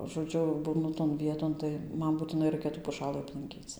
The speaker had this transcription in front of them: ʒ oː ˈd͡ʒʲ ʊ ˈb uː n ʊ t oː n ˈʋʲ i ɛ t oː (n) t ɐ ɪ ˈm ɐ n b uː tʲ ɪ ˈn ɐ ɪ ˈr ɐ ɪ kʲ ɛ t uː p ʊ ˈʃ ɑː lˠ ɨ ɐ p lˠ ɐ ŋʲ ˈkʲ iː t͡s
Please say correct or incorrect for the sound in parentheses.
correct